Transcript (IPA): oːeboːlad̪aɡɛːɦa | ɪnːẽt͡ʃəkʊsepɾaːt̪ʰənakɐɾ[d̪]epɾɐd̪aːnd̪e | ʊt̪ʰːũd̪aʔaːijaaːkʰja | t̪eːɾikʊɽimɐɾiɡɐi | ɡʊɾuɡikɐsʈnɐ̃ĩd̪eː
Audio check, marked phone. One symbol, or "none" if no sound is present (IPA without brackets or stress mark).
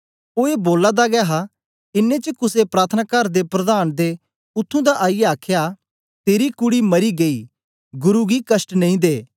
d̪